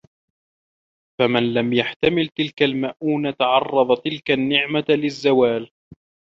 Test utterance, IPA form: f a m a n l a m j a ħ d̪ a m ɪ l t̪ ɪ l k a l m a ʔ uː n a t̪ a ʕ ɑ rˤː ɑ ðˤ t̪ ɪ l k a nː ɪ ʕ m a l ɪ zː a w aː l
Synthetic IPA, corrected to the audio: f a m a n l a m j a ħ t̪ a m ɪ l t̪ ɪ l k a l m a ʔ uː n a t̪ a ʕ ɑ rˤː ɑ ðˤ t̪ ɪ l k a nː ɪ ʕ m a l ɪ zː a w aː l